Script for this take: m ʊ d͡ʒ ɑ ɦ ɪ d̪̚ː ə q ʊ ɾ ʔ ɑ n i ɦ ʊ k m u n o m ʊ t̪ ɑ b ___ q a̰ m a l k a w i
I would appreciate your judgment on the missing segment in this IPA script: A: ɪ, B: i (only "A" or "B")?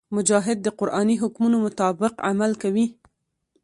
A